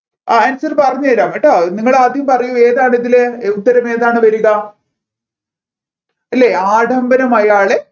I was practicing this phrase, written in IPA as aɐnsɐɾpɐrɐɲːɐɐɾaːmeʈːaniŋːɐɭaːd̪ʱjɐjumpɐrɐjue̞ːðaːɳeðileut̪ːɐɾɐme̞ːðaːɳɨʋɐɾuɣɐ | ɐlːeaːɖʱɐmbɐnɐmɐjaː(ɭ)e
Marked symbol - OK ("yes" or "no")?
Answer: yes